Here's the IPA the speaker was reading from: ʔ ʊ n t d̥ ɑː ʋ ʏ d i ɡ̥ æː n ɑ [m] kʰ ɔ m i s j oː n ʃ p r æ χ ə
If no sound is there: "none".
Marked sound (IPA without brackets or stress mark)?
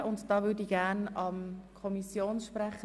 m